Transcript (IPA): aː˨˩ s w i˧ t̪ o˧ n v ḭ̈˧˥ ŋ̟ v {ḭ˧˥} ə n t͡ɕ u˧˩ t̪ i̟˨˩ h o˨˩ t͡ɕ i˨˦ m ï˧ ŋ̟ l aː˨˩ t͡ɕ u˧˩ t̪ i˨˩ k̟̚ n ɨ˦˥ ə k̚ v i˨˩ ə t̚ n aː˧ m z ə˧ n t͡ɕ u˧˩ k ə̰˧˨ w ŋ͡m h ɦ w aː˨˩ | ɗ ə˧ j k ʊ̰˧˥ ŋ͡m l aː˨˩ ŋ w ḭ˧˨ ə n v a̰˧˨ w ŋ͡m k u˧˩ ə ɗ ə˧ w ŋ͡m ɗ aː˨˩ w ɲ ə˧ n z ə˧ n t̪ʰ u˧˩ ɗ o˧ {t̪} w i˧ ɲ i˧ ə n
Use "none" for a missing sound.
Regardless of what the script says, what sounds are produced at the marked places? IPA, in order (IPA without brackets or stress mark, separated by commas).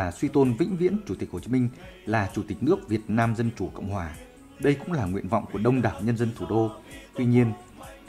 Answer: ḭ˧˥, t̪